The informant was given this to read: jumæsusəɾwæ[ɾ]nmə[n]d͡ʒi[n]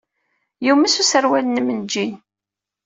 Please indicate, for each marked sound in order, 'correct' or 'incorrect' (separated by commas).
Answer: incorrect, correct, correct